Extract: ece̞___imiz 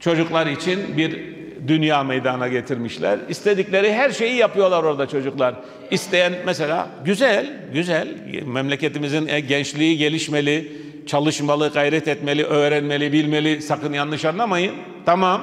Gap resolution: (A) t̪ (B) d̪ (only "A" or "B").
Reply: A